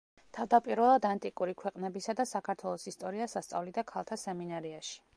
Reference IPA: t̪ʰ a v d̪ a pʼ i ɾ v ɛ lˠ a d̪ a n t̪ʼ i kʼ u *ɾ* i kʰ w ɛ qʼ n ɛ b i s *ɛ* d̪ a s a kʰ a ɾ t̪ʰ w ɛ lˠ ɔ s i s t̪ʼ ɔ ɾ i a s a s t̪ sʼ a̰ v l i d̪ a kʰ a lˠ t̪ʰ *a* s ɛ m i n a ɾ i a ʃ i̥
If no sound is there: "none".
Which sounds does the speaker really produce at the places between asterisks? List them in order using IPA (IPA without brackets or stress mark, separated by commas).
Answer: ɾ, a, a